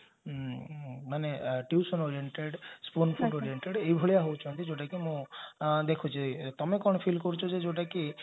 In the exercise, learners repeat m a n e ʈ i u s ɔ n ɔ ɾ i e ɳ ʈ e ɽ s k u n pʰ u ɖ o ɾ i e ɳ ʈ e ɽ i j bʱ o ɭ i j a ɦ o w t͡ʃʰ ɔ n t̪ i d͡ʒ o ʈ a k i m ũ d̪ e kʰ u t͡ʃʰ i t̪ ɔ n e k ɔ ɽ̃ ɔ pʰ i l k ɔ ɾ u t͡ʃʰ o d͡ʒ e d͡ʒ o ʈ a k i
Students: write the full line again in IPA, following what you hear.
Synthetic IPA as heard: m a n e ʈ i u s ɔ n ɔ ɾ i e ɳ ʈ e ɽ s p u n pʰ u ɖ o ɾ i e ɳ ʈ e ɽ e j bʱ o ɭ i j a ɦ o w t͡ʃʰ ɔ n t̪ i d͡ʒ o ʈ a k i m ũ d̪ e kʰ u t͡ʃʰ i t̪ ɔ m e k ɔ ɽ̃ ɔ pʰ i l k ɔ ɾ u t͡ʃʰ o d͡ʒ e d͡ʒ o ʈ a k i